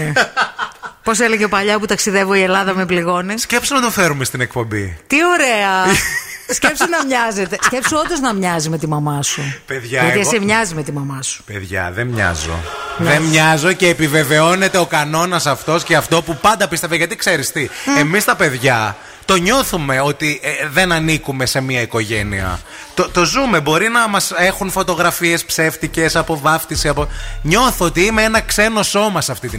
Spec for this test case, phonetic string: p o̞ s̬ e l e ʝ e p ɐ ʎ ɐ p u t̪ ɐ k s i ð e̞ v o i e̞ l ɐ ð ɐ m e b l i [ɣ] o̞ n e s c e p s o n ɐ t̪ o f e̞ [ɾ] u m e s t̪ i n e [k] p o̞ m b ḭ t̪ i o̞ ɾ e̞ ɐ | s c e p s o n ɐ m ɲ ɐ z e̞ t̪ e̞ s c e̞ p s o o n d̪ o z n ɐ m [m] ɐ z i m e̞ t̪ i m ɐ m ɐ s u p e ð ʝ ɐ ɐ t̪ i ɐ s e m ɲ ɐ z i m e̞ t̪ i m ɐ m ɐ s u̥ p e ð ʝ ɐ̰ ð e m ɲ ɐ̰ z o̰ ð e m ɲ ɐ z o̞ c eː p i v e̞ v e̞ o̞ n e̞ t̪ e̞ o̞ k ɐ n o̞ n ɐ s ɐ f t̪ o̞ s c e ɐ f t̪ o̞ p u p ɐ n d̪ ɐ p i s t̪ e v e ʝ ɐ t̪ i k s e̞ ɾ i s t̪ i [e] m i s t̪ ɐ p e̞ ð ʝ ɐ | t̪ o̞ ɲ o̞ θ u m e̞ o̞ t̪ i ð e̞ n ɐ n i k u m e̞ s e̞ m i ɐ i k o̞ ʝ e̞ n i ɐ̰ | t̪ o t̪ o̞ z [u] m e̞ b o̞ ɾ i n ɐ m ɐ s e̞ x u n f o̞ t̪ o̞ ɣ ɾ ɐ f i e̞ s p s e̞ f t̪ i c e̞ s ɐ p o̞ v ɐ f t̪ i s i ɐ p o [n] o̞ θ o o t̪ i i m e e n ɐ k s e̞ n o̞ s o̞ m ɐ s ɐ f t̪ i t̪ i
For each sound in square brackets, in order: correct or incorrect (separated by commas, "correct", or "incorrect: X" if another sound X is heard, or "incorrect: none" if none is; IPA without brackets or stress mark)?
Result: correct, correct, correct, incorrect: ɲ, correct, correct, incorrect: ɲ